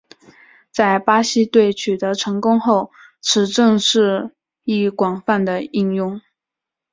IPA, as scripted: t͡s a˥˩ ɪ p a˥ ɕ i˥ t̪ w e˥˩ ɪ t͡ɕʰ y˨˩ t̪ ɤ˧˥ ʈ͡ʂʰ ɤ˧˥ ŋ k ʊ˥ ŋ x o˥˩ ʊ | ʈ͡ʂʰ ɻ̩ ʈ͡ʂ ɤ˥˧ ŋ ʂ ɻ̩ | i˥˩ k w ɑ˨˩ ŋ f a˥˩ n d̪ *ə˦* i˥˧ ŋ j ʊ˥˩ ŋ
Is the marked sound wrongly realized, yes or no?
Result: yes